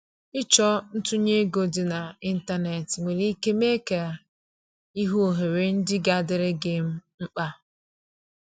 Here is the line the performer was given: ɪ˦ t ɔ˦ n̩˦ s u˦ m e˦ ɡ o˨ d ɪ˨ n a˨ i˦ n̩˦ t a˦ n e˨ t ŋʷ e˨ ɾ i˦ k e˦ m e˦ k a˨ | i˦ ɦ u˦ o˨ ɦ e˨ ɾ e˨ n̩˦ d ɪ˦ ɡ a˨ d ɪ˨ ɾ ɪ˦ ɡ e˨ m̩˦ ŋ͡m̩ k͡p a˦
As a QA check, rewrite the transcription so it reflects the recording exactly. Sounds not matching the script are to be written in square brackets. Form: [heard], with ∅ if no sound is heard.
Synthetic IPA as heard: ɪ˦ [t͡ʃ] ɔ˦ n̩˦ [t] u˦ [ɲ] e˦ ɡ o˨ d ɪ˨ n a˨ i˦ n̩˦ t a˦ n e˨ t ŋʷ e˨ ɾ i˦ k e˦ m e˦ k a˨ | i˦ ɦ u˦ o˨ ɦ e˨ ɾ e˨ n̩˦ d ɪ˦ ɡ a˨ d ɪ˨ ɾ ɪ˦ ɡ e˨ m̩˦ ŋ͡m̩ k͡p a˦